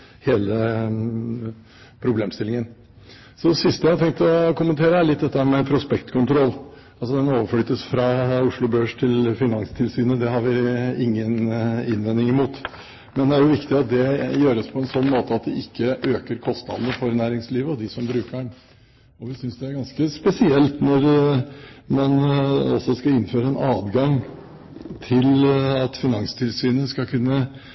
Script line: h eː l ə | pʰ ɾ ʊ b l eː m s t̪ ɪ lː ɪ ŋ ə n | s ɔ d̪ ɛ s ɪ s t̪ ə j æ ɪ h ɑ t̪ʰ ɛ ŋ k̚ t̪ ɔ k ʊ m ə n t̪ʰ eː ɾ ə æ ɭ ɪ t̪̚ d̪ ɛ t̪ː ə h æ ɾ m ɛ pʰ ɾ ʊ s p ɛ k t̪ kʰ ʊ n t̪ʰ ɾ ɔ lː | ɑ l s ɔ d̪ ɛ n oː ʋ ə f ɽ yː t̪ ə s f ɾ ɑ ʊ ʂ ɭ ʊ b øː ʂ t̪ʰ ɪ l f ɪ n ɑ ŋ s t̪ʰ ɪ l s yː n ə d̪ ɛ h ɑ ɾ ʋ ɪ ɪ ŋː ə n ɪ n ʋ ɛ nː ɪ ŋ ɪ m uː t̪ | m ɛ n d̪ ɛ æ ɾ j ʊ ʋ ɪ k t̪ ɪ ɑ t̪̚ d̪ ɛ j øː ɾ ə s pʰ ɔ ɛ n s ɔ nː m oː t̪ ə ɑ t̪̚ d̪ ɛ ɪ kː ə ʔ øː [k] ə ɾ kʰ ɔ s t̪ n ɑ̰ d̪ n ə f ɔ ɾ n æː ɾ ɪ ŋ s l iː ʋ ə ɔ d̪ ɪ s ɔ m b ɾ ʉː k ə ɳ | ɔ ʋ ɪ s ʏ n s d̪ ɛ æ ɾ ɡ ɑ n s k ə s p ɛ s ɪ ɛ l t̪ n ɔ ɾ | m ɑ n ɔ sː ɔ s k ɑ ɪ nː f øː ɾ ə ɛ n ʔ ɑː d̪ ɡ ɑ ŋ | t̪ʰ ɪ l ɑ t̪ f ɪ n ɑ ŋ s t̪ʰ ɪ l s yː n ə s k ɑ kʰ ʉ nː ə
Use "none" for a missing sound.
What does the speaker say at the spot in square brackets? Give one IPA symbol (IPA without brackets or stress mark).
k